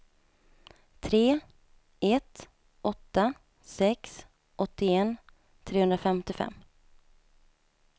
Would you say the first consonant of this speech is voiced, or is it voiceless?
voiceless